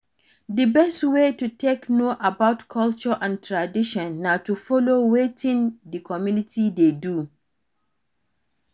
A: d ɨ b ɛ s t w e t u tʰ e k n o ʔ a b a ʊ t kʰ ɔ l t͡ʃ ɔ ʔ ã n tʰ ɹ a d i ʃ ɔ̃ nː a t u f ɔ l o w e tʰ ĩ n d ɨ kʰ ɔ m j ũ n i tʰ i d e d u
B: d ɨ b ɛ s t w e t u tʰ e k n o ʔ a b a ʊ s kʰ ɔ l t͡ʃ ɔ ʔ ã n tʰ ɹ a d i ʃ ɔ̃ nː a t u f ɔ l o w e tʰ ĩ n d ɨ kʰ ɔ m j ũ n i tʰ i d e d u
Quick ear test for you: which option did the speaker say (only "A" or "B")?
A